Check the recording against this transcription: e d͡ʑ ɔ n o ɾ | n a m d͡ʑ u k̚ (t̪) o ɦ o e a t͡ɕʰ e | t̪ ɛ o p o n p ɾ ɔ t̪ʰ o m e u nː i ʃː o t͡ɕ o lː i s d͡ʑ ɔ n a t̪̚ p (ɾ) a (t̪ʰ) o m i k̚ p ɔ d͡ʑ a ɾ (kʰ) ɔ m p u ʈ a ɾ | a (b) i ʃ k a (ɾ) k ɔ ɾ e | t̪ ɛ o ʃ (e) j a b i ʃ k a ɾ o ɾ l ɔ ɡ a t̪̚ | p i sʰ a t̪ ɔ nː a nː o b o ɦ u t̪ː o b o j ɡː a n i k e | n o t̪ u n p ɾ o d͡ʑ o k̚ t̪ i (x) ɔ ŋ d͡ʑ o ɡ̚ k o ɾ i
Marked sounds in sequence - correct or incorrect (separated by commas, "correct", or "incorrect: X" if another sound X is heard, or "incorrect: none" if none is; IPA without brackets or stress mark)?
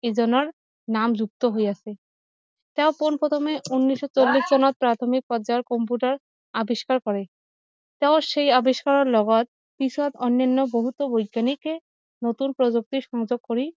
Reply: correct, correct, correct, incorrect: k, correct, correct, correct, incorrect: ʃ